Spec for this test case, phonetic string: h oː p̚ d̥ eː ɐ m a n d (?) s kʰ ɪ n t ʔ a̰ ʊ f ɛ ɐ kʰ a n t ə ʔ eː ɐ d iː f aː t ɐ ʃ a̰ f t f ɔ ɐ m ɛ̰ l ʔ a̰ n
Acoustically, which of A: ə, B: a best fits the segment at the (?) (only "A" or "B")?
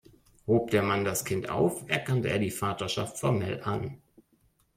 B